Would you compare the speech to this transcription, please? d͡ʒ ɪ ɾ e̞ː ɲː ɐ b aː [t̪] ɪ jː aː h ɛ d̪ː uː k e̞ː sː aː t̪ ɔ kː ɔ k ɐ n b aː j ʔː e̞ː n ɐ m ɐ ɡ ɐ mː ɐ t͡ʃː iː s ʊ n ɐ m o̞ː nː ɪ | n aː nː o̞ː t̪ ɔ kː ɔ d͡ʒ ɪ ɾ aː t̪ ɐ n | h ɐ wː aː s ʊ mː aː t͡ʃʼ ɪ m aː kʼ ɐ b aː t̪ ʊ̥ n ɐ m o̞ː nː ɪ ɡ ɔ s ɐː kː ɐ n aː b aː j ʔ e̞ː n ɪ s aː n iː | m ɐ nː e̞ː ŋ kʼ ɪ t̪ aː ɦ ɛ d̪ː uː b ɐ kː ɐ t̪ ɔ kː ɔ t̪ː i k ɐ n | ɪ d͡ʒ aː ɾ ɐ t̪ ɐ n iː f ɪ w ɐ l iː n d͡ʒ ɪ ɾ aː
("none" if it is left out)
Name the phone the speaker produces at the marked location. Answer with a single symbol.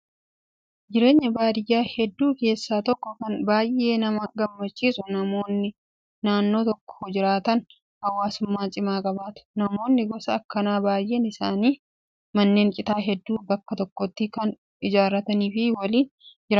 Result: d̪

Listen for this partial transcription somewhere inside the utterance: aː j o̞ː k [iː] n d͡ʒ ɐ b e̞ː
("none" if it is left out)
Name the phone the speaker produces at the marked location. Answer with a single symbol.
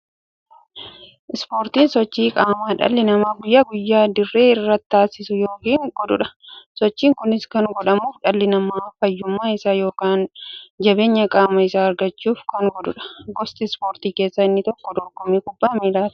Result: aː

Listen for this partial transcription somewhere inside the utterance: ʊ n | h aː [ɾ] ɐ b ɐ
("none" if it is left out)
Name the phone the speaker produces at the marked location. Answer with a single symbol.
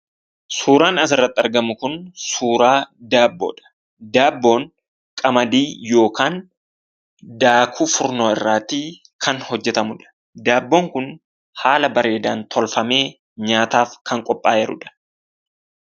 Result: l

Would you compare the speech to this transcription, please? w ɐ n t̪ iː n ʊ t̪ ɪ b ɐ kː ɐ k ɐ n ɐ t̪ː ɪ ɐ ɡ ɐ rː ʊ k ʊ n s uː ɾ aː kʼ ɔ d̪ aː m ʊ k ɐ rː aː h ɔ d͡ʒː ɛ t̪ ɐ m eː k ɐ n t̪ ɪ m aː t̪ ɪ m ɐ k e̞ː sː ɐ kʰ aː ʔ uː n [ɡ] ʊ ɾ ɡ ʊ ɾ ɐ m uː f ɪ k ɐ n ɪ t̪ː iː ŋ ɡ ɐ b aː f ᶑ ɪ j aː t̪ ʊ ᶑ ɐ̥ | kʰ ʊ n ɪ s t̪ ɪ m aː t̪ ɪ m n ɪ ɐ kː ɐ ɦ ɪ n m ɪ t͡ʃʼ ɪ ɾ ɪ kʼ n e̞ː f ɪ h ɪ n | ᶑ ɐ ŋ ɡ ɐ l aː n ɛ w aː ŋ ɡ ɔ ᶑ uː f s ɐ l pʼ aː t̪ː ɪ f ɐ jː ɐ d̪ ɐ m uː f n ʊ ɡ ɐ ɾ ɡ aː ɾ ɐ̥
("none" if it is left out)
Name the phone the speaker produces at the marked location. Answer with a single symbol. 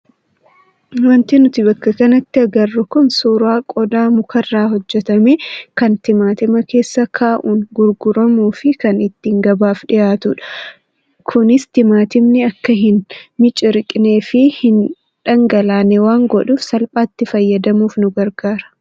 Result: ɡ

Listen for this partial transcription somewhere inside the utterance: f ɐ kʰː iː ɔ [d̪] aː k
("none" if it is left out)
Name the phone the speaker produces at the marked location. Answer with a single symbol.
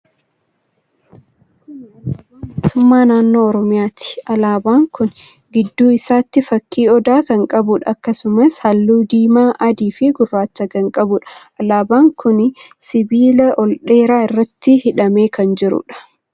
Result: d̪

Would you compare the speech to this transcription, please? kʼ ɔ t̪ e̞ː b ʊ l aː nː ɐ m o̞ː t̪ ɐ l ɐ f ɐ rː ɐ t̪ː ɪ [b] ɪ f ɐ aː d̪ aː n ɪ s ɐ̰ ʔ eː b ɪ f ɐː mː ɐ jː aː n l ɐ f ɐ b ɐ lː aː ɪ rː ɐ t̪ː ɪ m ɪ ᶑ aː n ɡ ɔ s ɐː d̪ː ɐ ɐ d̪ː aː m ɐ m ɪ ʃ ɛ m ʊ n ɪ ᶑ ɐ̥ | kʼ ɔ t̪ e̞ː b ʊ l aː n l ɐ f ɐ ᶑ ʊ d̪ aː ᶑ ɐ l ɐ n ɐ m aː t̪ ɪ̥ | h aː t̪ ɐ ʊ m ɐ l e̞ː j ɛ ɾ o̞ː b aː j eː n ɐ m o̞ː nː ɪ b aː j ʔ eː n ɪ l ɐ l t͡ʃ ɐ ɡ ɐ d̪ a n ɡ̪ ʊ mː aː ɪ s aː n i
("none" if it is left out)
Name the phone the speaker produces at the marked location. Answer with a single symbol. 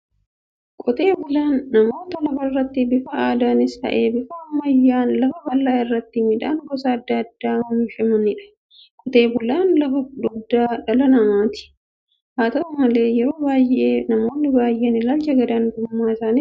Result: b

